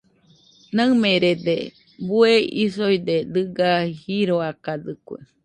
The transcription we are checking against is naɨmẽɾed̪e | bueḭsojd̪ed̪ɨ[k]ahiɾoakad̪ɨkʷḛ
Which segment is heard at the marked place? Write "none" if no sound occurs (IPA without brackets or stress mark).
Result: ɡ